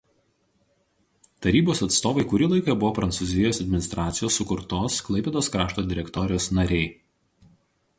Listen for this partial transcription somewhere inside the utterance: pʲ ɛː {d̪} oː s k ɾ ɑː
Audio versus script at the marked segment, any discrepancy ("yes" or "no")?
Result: no